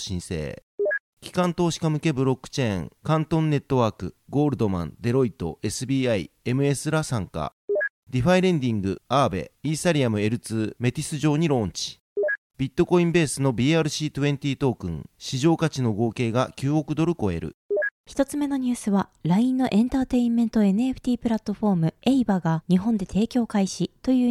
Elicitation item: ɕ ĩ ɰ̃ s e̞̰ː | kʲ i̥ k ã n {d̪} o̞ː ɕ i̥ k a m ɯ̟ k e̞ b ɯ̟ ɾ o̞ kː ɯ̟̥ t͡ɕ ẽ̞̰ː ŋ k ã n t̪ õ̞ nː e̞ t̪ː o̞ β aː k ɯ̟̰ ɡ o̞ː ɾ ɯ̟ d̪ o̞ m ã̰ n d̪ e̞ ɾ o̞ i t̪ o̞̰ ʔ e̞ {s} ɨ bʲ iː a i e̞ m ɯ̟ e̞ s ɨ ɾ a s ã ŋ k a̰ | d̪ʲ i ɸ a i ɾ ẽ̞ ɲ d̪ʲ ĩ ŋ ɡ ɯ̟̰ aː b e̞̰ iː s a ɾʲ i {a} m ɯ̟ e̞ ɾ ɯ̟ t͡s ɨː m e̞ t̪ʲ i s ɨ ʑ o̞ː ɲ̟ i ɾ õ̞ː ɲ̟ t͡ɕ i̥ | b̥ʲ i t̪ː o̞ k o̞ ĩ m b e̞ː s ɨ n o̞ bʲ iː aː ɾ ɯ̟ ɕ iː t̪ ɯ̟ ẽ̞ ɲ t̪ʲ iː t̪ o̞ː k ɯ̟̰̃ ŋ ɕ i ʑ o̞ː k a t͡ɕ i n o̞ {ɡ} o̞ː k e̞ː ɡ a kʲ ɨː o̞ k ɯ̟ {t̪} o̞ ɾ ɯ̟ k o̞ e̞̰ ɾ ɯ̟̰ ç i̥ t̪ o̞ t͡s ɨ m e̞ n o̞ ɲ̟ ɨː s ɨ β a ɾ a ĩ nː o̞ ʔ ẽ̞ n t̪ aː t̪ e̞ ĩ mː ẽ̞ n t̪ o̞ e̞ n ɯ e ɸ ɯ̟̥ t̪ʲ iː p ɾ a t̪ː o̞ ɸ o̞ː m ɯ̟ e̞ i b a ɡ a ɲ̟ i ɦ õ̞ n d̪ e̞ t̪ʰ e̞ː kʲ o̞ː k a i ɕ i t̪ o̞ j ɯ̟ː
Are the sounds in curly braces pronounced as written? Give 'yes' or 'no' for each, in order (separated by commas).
no, yes, yes, yes, no